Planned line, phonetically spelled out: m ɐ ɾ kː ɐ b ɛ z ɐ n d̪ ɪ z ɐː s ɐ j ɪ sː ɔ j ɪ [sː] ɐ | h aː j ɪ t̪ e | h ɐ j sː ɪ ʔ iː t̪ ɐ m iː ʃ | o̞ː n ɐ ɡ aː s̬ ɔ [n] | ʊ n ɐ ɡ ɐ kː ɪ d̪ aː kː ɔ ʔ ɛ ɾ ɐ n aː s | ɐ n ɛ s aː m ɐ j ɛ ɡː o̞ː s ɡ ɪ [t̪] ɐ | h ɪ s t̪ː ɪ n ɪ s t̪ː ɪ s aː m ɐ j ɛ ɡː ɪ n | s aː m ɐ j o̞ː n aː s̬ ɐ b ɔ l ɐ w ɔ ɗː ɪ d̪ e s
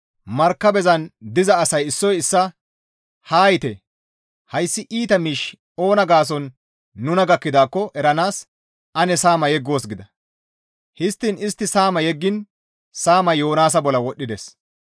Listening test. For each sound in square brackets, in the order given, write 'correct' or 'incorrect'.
correct, incorrect, incorrect

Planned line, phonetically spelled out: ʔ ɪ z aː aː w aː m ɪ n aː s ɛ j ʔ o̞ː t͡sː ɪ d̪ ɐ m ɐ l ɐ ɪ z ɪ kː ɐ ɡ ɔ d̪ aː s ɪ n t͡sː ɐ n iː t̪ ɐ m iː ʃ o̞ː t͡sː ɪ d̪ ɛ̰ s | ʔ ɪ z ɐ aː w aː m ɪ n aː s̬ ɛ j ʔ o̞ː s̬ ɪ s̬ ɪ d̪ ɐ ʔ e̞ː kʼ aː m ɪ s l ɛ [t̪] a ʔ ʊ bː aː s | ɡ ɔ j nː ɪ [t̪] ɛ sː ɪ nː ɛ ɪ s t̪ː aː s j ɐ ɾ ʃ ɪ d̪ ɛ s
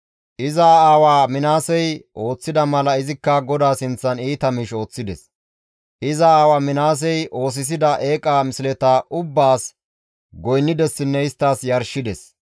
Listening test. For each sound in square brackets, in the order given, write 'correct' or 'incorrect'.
correct, incorrect

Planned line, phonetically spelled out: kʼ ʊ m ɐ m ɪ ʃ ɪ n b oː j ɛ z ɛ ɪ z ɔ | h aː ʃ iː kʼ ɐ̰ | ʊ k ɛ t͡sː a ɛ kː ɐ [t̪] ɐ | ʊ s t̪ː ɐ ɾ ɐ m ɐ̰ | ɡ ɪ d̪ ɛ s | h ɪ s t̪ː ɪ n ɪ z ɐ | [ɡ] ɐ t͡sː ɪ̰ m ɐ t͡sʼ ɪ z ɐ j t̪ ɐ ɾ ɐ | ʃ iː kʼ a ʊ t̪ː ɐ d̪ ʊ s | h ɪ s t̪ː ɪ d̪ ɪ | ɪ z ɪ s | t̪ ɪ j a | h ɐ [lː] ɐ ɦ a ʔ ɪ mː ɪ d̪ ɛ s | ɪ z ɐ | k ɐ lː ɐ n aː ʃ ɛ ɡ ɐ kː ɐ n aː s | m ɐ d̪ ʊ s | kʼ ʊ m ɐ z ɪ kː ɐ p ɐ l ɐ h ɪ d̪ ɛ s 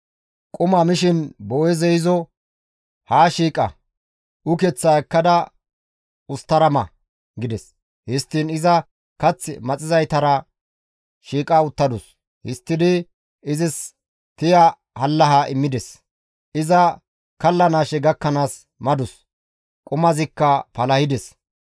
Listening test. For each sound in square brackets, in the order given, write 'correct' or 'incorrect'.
incorrect, incorrect, correct

